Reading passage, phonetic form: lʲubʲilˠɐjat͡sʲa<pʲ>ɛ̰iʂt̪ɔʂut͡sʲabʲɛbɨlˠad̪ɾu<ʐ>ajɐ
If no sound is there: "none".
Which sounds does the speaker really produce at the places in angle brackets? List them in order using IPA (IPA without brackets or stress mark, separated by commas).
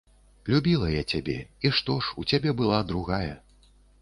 bʲ, ɣ